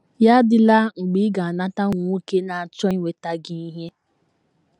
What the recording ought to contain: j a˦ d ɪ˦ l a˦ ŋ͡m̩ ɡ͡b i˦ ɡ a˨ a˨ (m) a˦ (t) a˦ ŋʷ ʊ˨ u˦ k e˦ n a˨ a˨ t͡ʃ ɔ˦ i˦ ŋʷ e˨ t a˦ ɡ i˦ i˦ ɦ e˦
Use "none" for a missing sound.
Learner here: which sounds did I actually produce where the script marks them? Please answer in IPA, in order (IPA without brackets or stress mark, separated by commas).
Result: n, t